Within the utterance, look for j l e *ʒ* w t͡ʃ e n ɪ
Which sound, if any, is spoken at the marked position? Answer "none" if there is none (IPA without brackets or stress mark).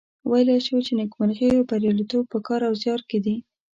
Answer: ʃ